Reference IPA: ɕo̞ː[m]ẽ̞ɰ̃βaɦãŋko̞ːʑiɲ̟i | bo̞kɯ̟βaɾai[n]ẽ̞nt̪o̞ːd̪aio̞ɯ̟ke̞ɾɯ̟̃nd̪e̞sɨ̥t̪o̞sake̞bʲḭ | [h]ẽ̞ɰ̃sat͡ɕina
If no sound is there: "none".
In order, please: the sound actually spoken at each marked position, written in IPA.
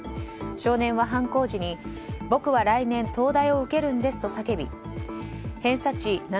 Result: n, n, h

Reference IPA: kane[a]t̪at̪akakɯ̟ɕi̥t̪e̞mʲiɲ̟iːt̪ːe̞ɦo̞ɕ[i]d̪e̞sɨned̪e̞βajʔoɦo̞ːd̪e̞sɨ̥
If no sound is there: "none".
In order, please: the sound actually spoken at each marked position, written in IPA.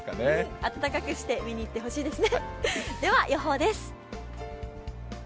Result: a, iː

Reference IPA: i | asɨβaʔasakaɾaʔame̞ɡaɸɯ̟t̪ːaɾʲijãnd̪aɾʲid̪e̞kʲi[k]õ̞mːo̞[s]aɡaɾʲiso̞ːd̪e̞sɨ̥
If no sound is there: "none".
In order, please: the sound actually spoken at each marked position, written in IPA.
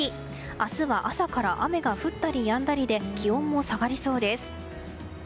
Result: none, s

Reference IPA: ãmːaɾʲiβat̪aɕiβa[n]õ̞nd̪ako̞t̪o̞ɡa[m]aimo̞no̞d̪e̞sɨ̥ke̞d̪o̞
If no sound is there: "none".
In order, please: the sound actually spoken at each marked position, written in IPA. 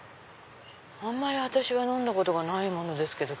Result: n, n

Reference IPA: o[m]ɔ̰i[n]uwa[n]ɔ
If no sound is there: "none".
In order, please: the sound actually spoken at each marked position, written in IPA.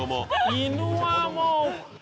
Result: m, n, m

